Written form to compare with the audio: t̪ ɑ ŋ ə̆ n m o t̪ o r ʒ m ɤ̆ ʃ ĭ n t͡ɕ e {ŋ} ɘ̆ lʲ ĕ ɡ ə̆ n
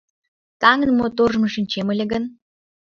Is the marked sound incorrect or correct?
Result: incorrect